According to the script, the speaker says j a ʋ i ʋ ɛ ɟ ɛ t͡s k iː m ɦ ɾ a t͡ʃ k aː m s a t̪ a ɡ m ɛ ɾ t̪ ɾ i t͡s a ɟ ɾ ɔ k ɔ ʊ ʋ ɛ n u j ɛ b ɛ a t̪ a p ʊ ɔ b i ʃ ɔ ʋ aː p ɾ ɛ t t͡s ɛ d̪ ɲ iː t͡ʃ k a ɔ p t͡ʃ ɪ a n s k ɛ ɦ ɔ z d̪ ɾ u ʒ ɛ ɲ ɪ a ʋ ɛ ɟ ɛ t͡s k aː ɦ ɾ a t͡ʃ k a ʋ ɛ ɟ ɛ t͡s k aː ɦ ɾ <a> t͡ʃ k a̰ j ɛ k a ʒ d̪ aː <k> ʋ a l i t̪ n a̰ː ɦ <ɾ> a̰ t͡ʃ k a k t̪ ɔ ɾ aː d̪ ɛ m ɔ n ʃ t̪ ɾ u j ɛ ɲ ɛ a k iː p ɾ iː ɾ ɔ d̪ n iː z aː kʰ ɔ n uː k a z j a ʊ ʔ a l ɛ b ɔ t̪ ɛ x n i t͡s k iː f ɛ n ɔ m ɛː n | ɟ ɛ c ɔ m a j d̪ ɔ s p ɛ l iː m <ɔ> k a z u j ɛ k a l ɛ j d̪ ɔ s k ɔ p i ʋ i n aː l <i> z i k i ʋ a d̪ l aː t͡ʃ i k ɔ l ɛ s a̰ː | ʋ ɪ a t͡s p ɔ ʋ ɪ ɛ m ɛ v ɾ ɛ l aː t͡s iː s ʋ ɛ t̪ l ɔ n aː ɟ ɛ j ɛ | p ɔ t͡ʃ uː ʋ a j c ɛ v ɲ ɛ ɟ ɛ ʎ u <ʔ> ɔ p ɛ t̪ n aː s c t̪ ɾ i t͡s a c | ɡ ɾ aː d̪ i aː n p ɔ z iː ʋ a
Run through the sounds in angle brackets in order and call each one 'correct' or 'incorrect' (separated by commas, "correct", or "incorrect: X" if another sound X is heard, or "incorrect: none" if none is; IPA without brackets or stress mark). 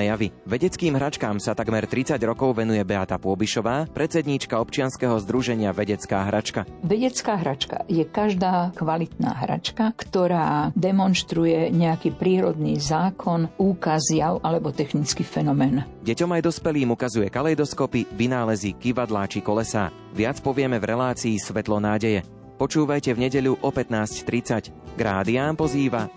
correct, correct, correct, incorrect: u, incorrect: ɛ, correct